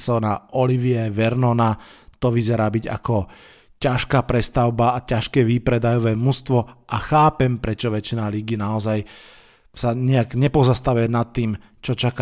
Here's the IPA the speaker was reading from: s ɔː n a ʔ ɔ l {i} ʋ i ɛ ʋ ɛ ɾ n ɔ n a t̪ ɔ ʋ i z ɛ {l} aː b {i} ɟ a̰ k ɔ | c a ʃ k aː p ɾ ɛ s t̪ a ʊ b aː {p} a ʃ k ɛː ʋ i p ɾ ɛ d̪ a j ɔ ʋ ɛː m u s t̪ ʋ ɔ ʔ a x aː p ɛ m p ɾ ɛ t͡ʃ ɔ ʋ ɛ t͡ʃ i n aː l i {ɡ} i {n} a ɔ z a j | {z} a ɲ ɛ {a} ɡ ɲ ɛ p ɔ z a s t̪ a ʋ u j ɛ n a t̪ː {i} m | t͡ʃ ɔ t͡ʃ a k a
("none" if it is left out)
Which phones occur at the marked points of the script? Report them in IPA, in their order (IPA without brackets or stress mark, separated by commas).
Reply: i, ɾ, i, c, ɡ, n, s, a, iː